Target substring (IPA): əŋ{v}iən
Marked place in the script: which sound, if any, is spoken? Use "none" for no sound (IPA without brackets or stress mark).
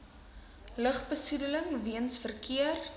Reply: v